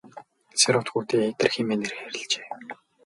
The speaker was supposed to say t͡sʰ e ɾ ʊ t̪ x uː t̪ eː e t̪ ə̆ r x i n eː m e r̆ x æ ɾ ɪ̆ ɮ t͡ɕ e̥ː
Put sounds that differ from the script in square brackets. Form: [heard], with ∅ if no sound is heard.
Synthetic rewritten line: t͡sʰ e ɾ ʊ t̪ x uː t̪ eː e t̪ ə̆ r x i [m] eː [n] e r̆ x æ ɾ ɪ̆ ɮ t͡ɕ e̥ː